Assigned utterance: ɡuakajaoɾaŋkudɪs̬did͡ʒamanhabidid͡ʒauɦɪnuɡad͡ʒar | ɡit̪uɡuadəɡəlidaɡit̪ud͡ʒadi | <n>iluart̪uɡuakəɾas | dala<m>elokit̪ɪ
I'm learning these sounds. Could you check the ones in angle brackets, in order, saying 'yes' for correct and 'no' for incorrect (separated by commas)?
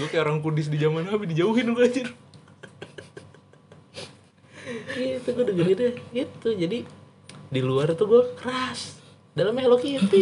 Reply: no, yes